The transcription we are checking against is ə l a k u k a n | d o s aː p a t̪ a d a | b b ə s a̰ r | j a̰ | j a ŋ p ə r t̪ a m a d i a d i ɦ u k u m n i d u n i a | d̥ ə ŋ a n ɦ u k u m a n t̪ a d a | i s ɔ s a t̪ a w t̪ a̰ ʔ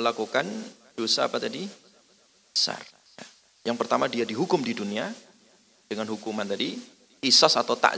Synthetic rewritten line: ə l a k u k a n | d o s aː p a t̪ a d i | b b ə s a̰ r | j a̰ | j a ŋ p ə r t̪ a m a d i a d i ɦ u k ʊ m d i d u n i a | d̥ ə ŋ a n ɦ u k u m a n t̪ a d i | i s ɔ s a t̪ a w t̪ a̰ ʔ